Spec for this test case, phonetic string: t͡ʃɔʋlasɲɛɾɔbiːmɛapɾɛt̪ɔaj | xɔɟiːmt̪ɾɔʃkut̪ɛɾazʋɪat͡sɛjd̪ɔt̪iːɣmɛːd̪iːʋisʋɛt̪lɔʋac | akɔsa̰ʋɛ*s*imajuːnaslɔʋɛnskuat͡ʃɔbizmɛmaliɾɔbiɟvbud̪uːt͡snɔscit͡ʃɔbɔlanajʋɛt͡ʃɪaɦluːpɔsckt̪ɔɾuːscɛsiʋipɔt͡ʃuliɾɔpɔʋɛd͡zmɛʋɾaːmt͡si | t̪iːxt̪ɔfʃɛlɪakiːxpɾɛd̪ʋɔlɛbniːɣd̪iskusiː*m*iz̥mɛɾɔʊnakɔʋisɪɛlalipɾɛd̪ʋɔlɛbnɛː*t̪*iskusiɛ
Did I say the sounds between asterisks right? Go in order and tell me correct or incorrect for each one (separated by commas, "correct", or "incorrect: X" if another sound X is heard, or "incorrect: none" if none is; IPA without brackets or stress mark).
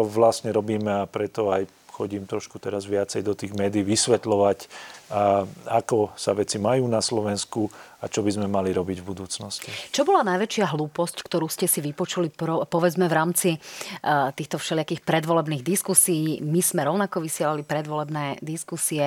incorrect: t͡s, correct, incorrect: d̪